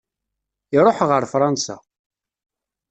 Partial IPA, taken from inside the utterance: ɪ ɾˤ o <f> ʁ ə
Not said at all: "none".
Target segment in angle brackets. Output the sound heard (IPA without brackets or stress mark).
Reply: ħ